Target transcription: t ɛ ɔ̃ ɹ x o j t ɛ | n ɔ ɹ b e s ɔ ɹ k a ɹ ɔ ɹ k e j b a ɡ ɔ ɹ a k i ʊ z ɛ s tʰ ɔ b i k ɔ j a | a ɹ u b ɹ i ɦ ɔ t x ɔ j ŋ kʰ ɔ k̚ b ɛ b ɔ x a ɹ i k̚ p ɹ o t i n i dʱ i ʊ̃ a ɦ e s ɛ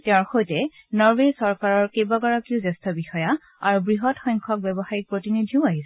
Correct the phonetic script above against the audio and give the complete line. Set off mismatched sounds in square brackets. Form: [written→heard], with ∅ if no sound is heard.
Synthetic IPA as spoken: t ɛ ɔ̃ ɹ x o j t ɛ | n ɔ ɹ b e s ɔ ɹ k a ɹ ɔ ɹ k e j b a ɡ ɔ ɹ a k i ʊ z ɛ s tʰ ɔ b i [k→x] ɔ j a | a ɹ u b ɹ i ɦ ɔ t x ɔ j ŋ kʰ ɔ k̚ b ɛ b ɔ x a ɹ i k̚ p ɹ o t i n i dʱ i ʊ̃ a ɦ [e→i] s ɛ

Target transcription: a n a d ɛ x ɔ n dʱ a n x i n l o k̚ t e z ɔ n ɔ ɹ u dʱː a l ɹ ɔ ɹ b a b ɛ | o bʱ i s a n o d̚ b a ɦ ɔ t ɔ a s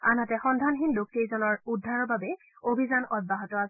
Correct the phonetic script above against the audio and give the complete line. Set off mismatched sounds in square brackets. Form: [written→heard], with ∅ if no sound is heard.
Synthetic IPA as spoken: a n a [d→t] ɛ x ɔ n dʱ a n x i n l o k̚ t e z ɔ n ɔ ɹ u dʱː a [l→∅] ɹ ɔ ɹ b a b ɛ | o bʱ i [s→z] a n [o→ɔ] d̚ b a ɦ ɔ t ɔ a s

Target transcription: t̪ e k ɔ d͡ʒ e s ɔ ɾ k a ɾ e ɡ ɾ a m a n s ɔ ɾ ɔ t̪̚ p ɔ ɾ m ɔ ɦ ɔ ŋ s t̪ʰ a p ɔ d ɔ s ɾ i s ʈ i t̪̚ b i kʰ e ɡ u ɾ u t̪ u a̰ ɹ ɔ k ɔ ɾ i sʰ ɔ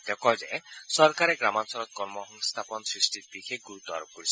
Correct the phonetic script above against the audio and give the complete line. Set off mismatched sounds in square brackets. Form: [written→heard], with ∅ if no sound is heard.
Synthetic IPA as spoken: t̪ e k ɔ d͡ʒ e s ɔ ɾ k a ɾ e ɡ ɾ a m a n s ɔ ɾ ɔ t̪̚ [p→k] ɔ ɾ m ɔ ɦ ɔ ŋ s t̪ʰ a p ɔ [d→n] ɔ s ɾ i s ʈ i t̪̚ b i kʰ e ɡ u ɾ u t̪ [u→ɔ] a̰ [ɹ→ɾ] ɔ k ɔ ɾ i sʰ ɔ

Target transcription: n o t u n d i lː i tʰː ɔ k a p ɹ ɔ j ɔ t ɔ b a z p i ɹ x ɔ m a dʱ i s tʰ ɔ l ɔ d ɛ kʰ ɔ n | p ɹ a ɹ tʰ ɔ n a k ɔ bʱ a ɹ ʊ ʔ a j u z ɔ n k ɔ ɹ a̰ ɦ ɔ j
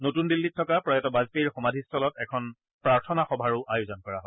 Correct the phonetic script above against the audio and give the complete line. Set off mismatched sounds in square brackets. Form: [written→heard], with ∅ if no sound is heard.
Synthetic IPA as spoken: n o t u n d i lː i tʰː ɔ k a p ɹ ɔ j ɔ t ɔ b a z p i ɹ x ɔ m a dʱ i s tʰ ɔ l ɔ [d→t] ɛ kʰ ɔ n | p ɹ a ɹ tʰ ɔ n a [k→x] ɔ bʱ a ɹ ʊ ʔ a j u z ɔ n k ɔ ɹ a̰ ɦ ɔ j

